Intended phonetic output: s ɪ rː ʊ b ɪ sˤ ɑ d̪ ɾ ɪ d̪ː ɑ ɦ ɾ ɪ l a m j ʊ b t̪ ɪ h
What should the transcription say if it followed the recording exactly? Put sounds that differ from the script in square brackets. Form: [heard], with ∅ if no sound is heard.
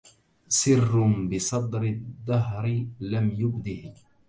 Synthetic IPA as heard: s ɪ rː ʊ b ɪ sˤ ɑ d̪ ɾ ɪ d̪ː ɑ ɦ ɾ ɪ l a m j ʊ b [d̪] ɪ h